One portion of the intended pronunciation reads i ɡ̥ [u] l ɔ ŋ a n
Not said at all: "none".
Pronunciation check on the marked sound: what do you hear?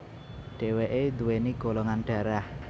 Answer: o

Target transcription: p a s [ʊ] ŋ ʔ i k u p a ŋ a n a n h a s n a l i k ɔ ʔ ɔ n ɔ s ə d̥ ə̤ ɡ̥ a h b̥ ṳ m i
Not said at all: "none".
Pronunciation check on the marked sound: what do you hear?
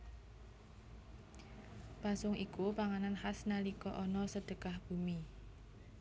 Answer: ʊ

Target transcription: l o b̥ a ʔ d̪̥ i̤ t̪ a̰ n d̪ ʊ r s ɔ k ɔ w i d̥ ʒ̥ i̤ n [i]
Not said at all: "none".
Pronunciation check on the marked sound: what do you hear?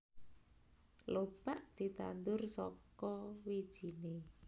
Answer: e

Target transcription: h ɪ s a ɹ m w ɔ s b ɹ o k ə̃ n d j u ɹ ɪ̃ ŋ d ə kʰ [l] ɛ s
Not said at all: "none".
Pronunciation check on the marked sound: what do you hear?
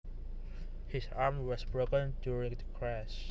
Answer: ɹ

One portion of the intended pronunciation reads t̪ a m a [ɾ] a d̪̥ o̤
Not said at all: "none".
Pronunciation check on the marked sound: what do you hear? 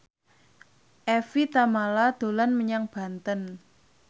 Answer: l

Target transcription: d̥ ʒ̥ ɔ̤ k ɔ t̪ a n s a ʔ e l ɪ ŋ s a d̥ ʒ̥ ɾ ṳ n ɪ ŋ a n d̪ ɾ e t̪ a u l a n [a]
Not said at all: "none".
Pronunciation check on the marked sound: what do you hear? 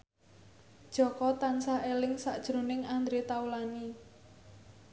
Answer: i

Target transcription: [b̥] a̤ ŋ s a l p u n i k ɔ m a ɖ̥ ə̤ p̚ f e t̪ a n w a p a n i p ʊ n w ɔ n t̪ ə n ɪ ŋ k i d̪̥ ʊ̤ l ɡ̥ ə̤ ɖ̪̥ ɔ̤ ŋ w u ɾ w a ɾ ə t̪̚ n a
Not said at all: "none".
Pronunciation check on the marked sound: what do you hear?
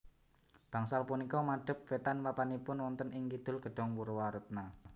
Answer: b̥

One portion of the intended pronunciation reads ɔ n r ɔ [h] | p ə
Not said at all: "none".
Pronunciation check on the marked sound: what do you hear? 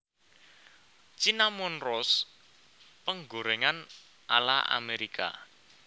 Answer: s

